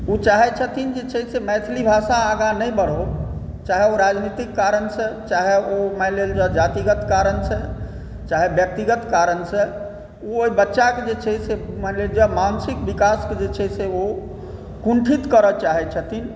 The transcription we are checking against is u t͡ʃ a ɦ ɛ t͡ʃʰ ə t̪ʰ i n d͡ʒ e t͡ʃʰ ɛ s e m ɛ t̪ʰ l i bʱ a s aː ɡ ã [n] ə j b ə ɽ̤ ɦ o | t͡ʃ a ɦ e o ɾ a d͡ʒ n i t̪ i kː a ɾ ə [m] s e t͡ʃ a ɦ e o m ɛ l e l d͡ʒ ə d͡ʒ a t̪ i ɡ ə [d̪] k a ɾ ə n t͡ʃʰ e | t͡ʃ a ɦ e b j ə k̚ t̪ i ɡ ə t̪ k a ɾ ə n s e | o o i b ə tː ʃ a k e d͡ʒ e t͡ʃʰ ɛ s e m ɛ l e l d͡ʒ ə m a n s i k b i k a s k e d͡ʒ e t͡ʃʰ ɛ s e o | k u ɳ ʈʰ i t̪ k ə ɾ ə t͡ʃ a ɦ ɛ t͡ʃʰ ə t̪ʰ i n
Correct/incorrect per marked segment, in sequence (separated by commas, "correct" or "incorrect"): correct, incorrect, incorrect